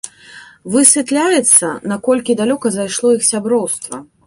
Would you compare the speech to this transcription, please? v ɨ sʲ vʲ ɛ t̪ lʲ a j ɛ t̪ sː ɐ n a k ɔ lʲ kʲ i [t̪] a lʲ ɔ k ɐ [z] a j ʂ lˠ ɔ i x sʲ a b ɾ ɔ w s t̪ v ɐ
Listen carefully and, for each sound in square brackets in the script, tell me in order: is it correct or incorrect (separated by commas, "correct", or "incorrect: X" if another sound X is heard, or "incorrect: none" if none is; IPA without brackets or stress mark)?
incorrect: d̪, correct